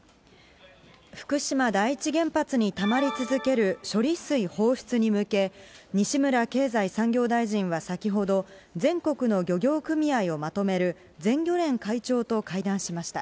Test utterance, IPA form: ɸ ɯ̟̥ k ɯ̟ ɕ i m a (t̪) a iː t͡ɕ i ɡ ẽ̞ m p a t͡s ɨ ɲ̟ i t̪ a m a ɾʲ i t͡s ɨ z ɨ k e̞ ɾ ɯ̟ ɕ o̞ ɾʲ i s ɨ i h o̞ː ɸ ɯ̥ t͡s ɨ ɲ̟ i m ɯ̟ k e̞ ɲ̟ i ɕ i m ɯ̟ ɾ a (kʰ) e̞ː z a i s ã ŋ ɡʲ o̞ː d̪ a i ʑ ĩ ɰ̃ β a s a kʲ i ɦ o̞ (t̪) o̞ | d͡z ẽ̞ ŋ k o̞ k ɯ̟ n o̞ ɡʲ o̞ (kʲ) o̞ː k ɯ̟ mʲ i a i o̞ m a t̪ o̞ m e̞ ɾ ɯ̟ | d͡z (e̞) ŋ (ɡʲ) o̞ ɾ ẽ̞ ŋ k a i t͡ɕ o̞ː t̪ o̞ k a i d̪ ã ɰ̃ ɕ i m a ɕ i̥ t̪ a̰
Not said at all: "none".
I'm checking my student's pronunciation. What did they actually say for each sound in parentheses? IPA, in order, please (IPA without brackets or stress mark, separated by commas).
d̪, k, d̪, ɡʲ, ẽ̞, ɡʲ